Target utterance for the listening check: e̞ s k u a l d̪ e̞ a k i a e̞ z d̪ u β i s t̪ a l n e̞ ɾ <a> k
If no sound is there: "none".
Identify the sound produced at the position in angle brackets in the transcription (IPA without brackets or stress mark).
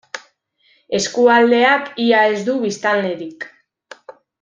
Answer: i